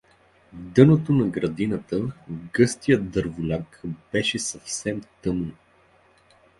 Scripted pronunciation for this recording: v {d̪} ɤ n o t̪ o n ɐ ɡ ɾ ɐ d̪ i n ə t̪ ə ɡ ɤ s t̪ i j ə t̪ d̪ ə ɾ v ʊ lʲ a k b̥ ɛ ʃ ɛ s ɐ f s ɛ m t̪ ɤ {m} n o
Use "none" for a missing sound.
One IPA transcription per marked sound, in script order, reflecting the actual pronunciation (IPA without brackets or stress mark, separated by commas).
d̪, m